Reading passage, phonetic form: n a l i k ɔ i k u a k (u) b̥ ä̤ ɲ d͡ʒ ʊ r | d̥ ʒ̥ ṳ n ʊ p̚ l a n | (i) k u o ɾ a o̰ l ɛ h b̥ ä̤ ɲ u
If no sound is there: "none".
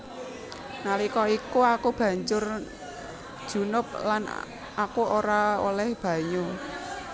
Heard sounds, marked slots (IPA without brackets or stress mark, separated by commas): u, a